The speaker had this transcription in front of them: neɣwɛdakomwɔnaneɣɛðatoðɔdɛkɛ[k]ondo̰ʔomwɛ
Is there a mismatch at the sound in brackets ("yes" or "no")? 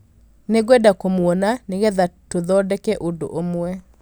yes